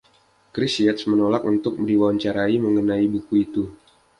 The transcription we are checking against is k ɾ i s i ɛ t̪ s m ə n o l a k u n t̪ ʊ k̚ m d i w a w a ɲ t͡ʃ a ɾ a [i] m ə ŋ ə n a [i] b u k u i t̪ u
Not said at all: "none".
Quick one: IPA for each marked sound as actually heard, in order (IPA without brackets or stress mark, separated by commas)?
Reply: i, i